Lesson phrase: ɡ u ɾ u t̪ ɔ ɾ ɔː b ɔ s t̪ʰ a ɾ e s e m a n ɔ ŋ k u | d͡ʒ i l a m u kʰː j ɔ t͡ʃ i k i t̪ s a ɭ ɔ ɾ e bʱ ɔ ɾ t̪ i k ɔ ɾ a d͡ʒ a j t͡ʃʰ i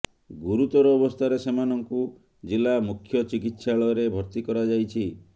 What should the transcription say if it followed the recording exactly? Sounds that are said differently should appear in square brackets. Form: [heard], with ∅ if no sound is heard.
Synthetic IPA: ɡ u ɾ u t̪ ɔ ɾ ɔː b ɔ s t̪ʰ a ɾ e s e m a n ɔ ŋ k u | d͡ʒ i l a m u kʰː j ɔ t͡ʃ i k i t̪ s a ɭ ɔ ɾ e bʱ ɔ ɾ t̪ i k ɔ ɾ a d͡ʒ a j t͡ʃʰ i

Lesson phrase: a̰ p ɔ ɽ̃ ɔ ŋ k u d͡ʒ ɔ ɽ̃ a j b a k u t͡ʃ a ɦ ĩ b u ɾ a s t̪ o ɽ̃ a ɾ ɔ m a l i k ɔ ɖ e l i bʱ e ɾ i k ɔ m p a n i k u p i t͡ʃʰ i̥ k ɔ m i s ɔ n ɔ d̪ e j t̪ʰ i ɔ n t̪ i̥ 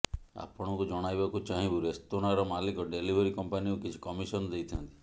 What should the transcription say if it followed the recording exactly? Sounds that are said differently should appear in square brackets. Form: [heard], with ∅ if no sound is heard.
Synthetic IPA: a̰ p ɔ ɽ̃ ɔ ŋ k u d͡ʒ ɔ ɽ̃ a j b a k u t͡ʃ a ɦ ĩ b u ɾ [e] s t̪ o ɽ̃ a ɾ ɔ m a l i k ɔ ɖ e l i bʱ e ɾ i k ɔ m p a n i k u [k] i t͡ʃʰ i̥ k ɔ m i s ɔ n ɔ d̪ e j t̪ʰ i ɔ n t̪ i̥

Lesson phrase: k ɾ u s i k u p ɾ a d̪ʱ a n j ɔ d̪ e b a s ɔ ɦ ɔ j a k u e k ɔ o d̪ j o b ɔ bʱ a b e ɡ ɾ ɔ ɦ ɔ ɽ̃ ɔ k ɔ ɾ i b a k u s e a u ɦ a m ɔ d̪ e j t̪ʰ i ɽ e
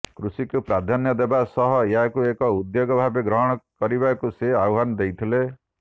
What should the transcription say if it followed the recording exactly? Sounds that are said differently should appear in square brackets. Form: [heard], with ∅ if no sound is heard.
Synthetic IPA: k ɾ u s i k u p ɾ a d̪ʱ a n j ɔ d̪ e b a s ɔ ɦ ɔ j a k u e k ɔ [u] d̪ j o [ɡ] ɔ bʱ a b e ɡ ɾ ɔ ɦ ɔ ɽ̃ ɔ k ɔ ɾ i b a k u s e a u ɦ a [n] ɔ d̪ e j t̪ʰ i [l] e

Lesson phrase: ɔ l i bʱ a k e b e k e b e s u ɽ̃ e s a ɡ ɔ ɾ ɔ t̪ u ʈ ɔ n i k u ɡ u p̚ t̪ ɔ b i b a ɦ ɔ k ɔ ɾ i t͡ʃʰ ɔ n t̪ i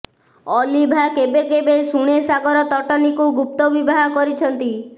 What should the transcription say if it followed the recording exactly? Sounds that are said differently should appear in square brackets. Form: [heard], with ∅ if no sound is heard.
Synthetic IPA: ɔ l i bʱ a k e b e k e b e s u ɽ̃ e s a ɡ ɔ ɾ ɔ t̪ [ɔ] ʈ ɔ n i k u ɡ u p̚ t̪ ɔ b i b a ɦ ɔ k ɔ ɾ i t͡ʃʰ ɔ n t̪ i

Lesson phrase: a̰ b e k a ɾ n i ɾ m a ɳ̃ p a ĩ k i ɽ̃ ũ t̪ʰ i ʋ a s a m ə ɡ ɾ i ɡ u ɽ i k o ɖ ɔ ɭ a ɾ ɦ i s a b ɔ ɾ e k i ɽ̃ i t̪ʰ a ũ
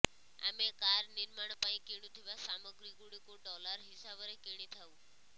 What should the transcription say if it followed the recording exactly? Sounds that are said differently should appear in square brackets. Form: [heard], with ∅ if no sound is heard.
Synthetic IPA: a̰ [m] e k a ɾ n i ɾ m a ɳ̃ p a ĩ k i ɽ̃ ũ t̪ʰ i ʋ a s a m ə ɡ ɾ i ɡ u ɽ i k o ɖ ɔ [l] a ɾ ɦ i s a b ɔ ɾ e k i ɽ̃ i t̪ʰ a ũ

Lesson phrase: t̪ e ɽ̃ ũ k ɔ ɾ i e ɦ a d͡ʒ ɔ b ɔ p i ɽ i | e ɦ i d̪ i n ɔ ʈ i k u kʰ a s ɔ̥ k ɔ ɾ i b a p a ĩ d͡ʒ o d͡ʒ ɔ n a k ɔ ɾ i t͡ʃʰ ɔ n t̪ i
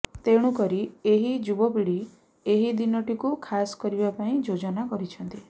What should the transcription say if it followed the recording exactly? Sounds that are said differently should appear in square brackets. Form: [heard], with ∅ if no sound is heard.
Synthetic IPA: t̪ e ɽ̃ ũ k ɔ ɾ i e ɦ [i] d͡ʒ [u] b ɔ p i ɽ i | e ɦ i d̪ i n ɔ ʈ i k u kʰ a s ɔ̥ k ɔ ɾ i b a p a ĩ d͡ʒ o d͡ʒ ɔ n a k ɔ ɾ i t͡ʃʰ ɔ n t̪ i

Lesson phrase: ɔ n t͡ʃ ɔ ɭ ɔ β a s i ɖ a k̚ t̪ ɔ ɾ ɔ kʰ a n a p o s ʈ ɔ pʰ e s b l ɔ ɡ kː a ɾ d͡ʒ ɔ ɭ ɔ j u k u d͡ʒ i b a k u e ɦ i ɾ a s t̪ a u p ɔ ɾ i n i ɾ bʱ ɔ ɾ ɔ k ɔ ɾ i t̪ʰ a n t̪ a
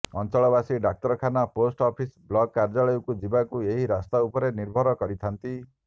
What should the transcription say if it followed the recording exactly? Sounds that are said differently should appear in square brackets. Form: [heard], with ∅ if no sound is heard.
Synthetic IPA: ɔ n t͡ʃ ɔ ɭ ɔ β a s i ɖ a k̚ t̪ ɔ ɾ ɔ kʰ a n a p o s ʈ ɔ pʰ [i] s b l ɔ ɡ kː a ɾ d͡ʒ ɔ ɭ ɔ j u k u d͡ʒ i b a k u e ɦ i ɾ a s t̪ a u p ɔ ɾ [e] n i ɾ bʱ ɔ ɾ ɔ k ɔ ɾ i t̪ʰ a n t̪ [i]

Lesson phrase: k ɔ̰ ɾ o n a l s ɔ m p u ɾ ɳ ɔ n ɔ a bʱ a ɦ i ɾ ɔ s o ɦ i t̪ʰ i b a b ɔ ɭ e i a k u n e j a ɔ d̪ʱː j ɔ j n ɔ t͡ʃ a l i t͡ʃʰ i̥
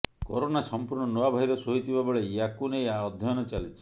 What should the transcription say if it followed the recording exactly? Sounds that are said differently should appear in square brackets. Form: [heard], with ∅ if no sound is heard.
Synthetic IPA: k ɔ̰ ɾ o n a [∅] s ɔ m p u ɾ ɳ ɔ n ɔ a bʱ a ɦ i ɾ ɔ s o ɦ i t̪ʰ i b a b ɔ ɭ e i a k u n e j a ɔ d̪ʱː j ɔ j n ɔ t͡ʃ a l i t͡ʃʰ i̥

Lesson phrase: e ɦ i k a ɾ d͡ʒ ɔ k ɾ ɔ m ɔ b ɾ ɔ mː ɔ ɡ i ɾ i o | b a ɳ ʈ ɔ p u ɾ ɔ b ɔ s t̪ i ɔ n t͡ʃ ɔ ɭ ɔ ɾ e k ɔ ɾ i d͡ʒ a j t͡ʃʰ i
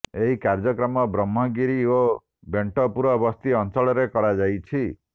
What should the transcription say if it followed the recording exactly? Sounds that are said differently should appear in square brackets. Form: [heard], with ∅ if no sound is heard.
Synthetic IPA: e ɦ i k a ɾ d͡ʒ ɔ k ɾ ɔ m ɔ b ɾ ɔ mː ɔ ɡ i ɾ i o | b [e] ɳ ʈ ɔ p u ɾ ɔ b ɔ s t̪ i ɔ n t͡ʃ ɔ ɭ ɔ ɾ e k ɔ ɾ [a] d͡ʒ a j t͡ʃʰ i

